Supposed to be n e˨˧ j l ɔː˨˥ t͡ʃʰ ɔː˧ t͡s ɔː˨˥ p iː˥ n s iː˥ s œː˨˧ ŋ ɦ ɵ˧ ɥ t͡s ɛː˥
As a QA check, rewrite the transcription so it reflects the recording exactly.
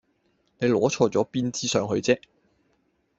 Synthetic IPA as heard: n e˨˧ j l ɔː˨˥ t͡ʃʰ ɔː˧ t͡s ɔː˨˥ p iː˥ n t͡s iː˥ s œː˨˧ ŋ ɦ ɵ˧ ɥ t͡s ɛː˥